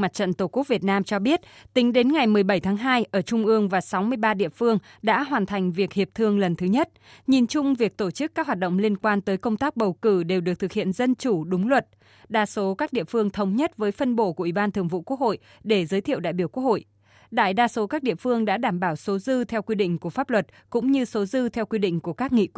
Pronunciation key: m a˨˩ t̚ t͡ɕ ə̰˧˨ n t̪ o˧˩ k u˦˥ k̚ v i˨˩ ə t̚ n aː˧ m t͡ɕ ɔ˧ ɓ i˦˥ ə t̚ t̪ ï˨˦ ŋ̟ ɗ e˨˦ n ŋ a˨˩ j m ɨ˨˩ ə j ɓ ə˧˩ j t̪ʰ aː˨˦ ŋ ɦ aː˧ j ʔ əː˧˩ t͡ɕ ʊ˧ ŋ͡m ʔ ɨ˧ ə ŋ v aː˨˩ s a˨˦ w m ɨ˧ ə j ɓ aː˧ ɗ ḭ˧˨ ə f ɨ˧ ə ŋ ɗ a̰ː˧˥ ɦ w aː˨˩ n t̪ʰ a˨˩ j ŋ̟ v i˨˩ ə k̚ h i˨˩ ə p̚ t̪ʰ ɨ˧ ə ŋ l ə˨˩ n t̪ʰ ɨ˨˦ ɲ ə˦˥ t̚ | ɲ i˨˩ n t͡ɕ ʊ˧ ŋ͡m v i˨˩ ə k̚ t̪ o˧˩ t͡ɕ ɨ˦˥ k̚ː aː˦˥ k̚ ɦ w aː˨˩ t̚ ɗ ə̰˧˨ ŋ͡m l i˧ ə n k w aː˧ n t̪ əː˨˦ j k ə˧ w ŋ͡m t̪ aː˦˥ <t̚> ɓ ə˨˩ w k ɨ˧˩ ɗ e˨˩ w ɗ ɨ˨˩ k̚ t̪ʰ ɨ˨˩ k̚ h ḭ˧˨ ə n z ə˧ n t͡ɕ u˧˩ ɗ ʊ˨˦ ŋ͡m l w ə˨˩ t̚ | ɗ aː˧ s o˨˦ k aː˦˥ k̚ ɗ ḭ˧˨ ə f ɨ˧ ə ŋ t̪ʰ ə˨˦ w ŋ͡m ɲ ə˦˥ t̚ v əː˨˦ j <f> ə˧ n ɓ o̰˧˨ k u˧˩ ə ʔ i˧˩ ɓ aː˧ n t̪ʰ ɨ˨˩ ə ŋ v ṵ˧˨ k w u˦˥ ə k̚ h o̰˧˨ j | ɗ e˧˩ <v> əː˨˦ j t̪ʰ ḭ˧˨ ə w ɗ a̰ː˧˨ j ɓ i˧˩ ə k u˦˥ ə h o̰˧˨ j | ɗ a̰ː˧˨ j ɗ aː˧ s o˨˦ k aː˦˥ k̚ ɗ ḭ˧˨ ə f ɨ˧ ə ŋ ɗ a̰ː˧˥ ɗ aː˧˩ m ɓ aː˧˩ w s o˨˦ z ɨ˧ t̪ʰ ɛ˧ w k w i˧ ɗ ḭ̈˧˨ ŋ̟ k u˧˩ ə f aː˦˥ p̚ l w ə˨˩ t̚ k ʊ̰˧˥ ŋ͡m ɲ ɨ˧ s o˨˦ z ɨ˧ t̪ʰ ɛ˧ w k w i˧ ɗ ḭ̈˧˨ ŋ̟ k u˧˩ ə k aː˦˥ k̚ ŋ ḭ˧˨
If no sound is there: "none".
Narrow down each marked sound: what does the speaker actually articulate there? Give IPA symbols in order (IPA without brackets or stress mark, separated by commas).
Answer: k̚, f, z